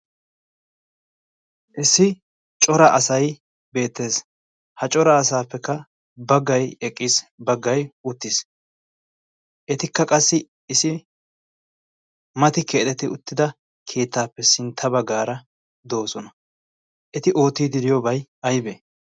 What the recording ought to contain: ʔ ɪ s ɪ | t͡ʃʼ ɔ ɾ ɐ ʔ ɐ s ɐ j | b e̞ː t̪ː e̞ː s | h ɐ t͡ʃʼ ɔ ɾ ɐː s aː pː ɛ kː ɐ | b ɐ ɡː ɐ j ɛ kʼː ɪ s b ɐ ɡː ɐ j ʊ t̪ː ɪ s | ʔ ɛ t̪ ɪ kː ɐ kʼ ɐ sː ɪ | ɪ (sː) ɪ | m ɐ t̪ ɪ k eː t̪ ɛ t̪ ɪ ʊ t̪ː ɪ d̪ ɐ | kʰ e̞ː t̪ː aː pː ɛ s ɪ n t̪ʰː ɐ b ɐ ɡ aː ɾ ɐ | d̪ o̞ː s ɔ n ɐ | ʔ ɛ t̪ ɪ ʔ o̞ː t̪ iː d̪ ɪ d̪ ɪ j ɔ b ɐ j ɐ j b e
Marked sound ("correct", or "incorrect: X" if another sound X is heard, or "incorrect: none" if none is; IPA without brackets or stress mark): incorrect: s